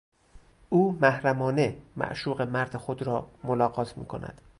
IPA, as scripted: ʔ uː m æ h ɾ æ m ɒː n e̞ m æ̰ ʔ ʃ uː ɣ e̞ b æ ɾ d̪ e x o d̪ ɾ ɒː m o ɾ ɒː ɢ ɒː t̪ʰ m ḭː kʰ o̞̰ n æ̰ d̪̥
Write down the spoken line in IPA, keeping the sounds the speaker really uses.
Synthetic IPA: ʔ uː m æ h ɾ æ m ɒː n e̞ m æ̰ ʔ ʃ uː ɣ e̞ m æ ɾ d̪ e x o d̪ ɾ ɒː m o l ɒː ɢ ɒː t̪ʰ m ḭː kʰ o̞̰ n æ̰ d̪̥